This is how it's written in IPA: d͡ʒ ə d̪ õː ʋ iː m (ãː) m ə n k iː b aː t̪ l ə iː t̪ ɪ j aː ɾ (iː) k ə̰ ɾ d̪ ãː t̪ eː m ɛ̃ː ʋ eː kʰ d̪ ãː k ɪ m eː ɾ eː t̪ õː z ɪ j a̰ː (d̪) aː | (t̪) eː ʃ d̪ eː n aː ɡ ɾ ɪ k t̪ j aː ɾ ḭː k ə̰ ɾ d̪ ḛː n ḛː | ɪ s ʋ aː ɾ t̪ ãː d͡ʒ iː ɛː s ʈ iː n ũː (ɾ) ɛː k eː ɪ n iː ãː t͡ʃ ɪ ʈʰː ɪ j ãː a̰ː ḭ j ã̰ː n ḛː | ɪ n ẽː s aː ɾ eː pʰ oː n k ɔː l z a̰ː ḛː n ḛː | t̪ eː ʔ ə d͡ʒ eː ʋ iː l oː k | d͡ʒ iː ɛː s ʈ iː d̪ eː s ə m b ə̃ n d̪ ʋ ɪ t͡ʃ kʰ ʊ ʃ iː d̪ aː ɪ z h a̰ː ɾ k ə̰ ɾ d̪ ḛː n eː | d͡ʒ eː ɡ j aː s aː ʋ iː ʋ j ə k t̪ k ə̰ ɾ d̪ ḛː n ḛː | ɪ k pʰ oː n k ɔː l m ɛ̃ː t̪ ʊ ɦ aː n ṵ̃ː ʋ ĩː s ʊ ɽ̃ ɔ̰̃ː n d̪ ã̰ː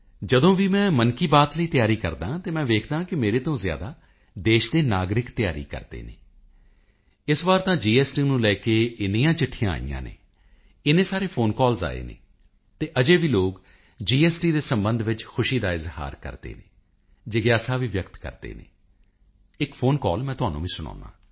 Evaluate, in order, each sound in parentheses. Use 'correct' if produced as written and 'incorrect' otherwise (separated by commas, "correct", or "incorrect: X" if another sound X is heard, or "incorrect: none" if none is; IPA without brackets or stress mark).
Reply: incorrect: ɛ̃ː, correct, correct, incorrect: d̪, incorrect: l